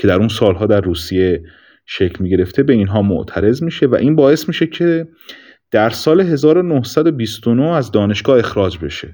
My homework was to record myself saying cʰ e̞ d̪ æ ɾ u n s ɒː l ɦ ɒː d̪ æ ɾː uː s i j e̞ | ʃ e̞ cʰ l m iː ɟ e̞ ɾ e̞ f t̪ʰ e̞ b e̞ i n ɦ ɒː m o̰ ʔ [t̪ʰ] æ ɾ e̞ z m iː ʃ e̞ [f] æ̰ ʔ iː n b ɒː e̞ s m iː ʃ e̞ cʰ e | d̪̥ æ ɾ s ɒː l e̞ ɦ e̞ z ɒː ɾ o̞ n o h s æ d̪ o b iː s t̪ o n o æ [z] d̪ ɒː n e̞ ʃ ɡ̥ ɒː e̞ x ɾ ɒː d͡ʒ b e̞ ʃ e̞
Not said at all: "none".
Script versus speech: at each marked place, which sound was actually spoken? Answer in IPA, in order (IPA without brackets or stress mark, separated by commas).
t̪ʰ, v, z